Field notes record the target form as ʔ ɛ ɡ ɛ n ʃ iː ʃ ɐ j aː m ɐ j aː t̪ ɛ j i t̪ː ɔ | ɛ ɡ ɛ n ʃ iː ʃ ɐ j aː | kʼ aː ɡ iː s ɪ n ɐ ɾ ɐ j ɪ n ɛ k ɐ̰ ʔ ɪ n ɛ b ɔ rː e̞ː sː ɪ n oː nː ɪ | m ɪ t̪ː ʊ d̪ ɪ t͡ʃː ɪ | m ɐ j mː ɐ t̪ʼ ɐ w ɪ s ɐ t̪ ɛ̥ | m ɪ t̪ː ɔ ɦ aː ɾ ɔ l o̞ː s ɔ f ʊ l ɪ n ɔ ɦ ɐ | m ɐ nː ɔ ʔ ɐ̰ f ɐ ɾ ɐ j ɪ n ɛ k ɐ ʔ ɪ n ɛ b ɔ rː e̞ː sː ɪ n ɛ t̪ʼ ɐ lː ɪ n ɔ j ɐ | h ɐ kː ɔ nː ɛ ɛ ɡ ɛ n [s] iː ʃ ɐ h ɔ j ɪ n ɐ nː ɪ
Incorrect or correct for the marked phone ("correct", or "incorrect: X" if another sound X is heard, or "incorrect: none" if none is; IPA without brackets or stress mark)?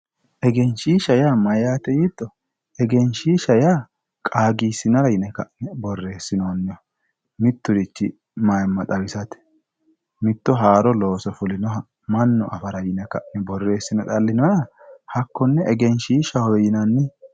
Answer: incorrect: ʃ